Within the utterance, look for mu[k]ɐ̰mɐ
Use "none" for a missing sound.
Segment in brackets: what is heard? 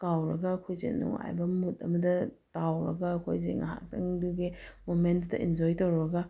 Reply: t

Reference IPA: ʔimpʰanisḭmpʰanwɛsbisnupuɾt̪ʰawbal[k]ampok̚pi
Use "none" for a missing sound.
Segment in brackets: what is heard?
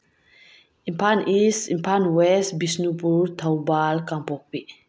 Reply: k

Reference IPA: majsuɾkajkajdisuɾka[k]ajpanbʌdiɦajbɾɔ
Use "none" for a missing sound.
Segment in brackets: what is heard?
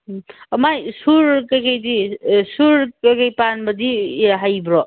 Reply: k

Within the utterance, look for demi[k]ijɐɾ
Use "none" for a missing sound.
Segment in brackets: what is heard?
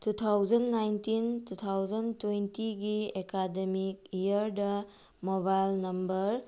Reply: k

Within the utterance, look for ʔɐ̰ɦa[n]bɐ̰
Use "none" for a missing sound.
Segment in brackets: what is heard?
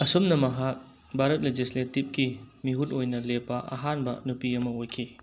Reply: n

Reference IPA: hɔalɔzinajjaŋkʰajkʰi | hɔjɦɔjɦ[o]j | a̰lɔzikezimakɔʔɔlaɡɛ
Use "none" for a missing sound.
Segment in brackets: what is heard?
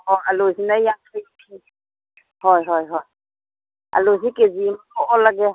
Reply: ɔ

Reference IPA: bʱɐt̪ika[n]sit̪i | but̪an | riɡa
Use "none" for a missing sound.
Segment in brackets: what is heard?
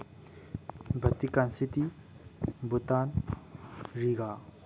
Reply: n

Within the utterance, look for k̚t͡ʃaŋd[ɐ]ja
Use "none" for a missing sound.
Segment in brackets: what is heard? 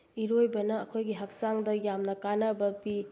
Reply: ɐ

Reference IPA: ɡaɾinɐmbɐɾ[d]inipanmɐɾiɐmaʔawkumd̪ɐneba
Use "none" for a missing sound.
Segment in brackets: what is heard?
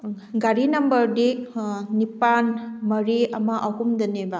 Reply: d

